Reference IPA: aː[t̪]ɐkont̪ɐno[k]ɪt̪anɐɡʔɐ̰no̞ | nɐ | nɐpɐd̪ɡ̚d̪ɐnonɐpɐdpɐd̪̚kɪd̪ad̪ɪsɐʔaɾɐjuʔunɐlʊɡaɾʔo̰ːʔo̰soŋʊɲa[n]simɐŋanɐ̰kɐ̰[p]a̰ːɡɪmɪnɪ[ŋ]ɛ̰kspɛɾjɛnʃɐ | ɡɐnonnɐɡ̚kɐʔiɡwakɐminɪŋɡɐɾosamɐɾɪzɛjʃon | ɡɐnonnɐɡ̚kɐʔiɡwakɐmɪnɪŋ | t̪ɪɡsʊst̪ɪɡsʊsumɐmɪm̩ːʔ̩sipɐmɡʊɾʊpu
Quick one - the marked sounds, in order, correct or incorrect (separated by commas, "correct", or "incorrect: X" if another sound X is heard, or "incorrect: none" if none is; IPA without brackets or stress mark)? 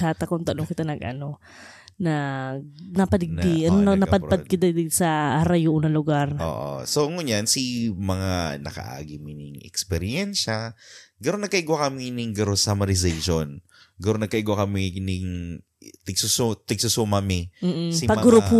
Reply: correct, correct, correct, incorrect: ʔ, correct